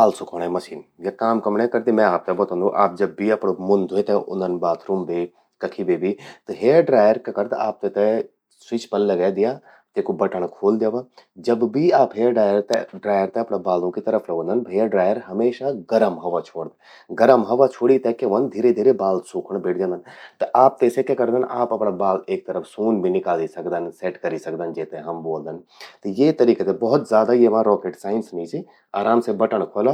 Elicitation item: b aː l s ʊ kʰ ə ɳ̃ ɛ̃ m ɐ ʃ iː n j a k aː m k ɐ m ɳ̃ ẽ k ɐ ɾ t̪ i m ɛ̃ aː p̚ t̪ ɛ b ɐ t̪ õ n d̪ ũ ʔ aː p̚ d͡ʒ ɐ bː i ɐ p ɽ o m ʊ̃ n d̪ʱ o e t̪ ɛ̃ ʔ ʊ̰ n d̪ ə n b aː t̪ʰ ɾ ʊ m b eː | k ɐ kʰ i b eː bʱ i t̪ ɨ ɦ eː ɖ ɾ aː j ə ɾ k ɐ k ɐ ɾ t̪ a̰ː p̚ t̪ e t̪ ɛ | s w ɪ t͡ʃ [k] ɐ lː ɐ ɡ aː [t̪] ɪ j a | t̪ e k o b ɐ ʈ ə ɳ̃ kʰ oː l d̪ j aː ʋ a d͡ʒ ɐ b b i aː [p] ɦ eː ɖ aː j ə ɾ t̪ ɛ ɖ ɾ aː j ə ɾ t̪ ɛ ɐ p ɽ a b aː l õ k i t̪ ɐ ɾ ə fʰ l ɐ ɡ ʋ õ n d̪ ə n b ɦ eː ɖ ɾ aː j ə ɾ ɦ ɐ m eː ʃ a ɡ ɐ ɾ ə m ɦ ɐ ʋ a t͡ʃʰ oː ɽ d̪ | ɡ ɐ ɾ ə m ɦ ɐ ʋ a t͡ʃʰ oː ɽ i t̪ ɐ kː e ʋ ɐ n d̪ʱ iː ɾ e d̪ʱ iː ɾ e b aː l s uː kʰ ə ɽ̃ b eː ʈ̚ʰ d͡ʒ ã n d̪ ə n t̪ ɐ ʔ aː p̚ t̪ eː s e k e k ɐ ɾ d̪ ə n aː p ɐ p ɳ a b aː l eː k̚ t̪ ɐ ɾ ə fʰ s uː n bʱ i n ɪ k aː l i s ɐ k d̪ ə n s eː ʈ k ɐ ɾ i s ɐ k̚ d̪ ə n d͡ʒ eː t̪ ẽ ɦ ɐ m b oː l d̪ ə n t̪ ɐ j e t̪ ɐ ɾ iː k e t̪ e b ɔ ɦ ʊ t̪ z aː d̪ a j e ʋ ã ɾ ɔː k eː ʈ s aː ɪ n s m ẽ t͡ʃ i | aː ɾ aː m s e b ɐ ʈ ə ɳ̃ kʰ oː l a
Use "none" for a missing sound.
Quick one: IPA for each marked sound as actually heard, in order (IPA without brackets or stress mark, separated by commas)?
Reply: p, d̪, p